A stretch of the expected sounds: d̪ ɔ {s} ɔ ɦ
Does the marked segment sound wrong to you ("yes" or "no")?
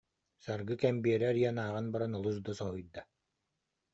no